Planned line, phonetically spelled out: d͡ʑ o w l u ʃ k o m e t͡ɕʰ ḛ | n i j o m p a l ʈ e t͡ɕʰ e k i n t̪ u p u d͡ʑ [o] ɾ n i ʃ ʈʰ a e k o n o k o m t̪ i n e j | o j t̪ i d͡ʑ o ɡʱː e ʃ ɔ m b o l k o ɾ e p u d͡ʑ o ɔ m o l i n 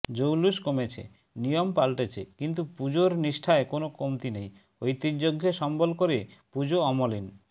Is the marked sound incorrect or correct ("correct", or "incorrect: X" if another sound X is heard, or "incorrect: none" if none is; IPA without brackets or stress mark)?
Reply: correct